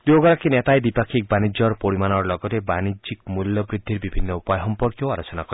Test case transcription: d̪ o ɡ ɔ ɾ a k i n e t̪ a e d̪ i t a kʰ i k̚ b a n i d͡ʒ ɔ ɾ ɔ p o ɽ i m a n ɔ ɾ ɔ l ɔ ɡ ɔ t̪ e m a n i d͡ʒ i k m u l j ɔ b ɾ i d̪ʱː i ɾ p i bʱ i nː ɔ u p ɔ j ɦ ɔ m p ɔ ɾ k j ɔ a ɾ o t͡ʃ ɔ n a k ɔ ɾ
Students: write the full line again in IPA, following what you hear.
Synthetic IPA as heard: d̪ o ɡ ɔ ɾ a k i n e t̪ a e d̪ i p a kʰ i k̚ b a n i d͡ʒ ɔ ɾ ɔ p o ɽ i m a n ɔ ɾ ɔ l ɔ ɡ ɔ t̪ e b a n i d͡ʒ i k m u l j ɔ b ɾ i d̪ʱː i ɾ b i bʱ i nː ɔ u p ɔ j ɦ ɔ m p ɔ ɾ k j ɔ a ɾ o t͡ʃ ɔ n a k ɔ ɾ

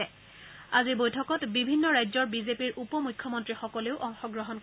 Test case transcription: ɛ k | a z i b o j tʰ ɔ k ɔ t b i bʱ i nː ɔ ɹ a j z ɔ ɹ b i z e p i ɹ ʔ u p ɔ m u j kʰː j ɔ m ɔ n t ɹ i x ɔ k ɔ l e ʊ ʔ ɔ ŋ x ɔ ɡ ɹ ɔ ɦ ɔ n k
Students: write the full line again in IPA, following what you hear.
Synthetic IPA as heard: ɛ | a z i b o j tʰ ɔ k ɔ t b i bʱ i nː ɔ ɹ a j z ɔ ɹ b i z e p i ɹ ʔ u p ɔ m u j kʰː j ɔ m ɔ n t ɹ i x ɔ k ɔ l e ʊ ʔ ɔ ŋ x ɔ ɡ ɹ ɔ ɦ ɔ n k

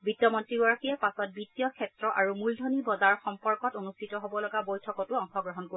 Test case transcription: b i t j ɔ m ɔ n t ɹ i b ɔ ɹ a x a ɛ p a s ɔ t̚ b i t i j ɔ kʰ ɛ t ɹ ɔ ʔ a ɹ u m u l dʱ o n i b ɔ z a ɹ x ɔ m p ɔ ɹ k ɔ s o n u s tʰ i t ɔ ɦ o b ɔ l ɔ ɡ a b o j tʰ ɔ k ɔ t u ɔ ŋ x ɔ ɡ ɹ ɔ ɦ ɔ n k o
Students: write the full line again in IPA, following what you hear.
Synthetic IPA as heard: b i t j ɔ m ɔ n t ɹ i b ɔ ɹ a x i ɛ p a s ɔ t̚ b i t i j ɔ kʰ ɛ t ɹ ɔ ʔ a ɹ u m u l dʱ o n i b ɔ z a ɹ x ɔ m p ɔ ɹ k ɔ t o n u s tʰ i t ɔ ɦ o b ɔ l ɔ ɡ a b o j tʰ ɔ k ɔ t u ɔ ŋ x ɔ ɡ ɹ ɔ ɦ ɔ n k o

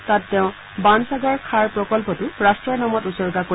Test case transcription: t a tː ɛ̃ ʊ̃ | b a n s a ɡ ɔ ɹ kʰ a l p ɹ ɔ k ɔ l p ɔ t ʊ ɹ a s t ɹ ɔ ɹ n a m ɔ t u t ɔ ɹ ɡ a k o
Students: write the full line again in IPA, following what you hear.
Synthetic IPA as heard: t a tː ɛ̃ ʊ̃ | b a n s a ɡ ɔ ɹ kʰ a ɹ p ɹ ɔ k ɔ l p ɔ t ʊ ɹ a s t ɹ ɔ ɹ n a m ɔ t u s ɔ ɹ ɡ a k o

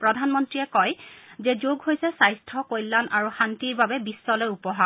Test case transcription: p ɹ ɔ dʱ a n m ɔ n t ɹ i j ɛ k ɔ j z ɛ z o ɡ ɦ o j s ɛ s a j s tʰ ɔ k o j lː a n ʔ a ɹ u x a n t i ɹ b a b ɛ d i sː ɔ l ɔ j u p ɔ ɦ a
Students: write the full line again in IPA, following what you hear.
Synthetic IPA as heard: p ɹ ɔ dʱ a n m ɔ n t ɹ i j ɛ k ɔ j z ɛ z o ɡ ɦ o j s ɛ s a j s tʰ ɔ k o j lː a n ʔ a ɹ u x a n t i ɹ b a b ɛ b i sː ɔ l ɔ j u p ɔ ɦ a

